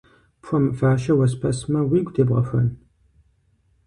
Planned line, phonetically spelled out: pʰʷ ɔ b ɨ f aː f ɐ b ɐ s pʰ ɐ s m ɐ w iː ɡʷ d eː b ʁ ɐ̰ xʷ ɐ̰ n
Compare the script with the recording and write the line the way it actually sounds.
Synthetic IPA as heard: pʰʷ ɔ m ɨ f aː ʃ ɐ w ɐ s pʰ ɐ s m ɐ w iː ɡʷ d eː b ʁ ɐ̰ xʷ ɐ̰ n